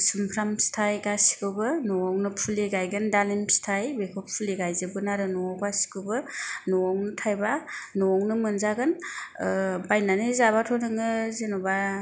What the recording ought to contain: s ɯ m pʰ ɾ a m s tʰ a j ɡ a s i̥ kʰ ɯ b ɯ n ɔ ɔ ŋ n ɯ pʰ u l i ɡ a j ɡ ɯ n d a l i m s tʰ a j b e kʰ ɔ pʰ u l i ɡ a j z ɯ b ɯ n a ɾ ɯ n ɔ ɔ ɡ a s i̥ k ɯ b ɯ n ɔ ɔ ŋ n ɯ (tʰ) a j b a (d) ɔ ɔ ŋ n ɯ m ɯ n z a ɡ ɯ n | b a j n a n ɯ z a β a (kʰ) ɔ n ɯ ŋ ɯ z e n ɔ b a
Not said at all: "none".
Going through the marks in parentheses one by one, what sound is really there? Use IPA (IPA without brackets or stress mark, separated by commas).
tʰ, n, tʰ